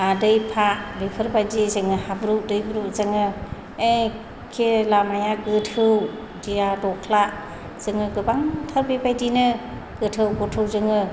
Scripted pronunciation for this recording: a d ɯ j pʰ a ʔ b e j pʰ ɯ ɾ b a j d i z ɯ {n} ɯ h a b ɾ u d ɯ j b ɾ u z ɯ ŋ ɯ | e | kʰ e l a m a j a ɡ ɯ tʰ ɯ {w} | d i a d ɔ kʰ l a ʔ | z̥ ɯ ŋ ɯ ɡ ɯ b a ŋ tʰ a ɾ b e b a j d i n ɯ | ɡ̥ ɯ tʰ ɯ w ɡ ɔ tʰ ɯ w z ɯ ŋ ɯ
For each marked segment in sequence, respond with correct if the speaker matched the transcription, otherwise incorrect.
incorrect: ŋ, correct

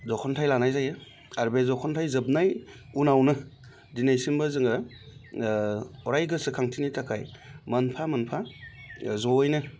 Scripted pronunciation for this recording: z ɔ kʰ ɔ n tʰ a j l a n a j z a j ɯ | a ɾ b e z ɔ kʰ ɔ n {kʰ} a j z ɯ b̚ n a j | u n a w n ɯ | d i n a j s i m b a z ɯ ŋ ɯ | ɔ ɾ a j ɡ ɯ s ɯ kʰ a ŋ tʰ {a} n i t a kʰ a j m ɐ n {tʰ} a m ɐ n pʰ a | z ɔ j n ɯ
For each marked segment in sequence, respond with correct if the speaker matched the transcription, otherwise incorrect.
incorrect: tʰ, incorrect: i, incorrect: pʰ

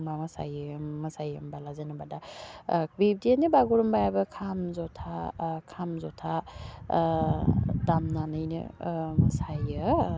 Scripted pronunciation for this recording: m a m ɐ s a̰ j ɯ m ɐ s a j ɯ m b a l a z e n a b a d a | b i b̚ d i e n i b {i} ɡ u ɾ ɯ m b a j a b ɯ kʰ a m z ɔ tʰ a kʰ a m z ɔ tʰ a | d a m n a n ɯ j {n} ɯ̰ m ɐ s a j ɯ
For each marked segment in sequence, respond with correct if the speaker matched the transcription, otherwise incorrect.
incorrect: a, correct

